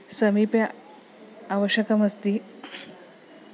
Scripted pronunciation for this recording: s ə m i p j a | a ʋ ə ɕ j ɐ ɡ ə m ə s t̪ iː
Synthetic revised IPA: s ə m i p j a | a ʋ ə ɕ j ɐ k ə m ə s t̪ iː